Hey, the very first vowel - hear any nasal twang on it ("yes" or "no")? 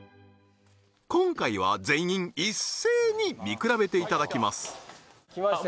yes